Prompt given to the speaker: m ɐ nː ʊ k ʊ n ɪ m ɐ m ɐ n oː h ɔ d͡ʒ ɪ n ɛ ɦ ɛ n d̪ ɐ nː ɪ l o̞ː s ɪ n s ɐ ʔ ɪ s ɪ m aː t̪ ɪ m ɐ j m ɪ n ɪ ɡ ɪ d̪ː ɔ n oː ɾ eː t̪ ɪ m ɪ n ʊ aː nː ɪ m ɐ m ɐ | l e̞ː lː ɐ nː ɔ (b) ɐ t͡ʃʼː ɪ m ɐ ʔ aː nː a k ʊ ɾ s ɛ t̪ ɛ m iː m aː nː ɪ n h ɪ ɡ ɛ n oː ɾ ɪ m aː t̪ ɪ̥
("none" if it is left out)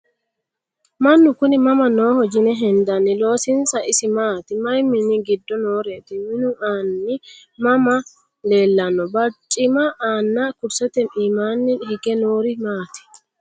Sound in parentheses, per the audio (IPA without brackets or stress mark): b